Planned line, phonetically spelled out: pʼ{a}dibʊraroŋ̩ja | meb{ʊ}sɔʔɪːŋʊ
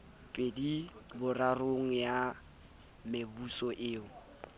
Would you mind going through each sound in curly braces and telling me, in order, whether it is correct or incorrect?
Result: incorrect: e, incorrect: u

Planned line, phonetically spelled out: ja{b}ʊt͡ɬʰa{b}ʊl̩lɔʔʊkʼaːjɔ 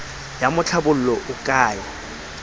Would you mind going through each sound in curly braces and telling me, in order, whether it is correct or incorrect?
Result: incorrect: m, correct

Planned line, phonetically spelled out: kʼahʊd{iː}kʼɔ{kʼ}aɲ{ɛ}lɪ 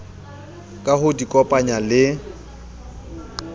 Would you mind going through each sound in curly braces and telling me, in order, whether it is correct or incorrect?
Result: incorrect: i, incorrect: pʼ, incorrect: a

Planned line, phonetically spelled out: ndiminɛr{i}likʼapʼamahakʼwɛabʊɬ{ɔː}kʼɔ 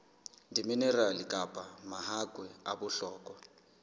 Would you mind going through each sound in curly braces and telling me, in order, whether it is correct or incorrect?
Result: incorrect: a, correct

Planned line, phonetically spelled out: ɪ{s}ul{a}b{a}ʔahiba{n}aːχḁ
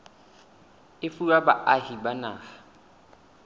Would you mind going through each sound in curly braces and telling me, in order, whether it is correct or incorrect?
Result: incorrect: f, correct, correct, correct

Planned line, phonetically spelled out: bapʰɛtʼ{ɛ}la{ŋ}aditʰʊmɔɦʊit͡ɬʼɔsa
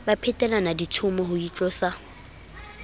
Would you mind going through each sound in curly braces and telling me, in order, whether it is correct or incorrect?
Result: correct, incorrect: n

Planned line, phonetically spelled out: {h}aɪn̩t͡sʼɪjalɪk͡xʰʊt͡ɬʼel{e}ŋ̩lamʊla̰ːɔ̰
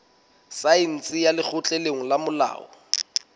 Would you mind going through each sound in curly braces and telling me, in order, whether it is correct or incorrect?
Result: incorrect: s, correct

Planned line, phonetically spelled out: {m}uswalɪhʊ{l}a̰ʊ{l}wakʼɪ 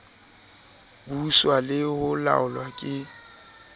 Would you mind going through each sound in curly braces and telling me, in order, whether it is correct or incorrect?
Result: incorrect: b, correct, correct

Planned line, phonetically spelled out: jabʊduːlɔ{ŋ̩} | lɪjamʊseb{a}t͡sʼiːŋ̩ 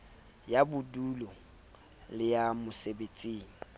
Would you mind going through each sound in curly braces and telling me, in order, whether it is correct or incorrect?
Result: incorrect: none, incorrect: e

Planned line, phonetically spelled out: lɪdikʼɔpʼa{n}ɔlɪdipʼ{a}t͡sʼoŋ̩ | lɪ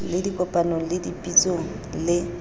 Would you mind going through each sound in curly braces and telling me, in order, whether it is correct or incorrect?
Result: correct, incorrect: i

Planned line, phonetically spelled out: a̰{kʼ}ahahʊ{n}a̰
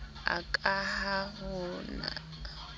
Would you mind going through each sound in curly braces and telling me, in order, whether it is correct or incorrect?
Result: correct, correct

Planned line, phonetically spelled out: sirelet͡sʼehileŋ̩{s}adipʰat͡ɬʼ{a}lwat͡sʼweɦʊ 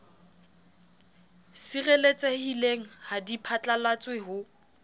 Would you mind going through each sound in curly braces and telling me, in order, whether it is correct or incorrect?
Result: incorrect: h, correct

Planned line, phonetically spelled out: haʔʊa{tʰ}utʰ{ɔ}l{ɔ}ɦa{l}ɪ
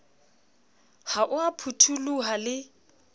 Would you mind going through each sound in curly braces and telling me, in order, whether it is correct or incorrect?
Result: incorrect: pʰ, incorrect: u, incorrect: u, correct

